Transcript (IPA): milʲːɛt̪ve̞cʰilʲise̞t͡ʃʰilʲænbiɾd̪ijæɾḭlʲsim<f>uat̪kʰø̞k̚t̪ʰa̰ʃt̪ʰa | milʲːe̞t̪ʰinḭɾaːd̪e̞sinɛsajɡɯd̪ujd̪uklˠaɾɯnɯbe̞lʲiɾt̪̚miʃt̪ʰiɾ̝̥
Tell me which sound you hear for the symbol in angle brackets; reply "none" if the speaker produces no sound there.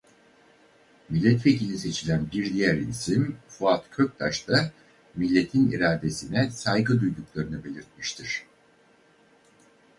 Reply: f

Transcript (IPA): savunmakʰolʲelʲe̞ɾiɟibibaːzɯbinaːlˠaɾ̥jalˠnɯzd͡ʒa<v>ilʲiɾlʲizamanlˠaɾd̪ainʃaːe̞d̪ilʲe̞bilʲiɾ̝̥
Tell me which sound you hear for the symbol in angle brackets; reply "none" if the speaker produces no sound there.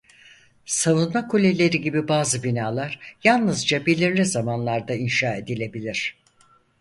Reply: b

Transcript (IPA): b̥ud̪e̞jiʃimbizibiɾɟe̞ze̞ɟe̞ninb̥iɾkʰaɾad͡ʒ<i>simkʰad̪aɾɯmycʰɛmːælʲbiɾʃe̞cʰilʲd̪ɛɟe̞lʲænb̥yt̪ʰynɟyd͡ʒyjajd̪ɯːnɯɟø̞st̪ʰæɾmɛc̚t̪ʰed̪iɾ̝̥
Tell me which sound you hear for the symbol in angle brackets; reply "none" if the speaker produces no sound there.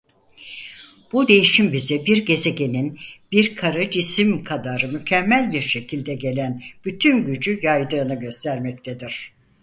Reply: i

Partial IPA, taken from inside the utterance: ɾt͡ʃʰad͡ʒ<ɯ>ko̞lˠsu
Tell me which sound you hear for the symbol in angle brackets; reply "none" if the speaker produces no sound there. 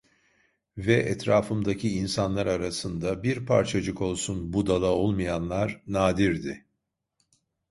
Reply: ɯ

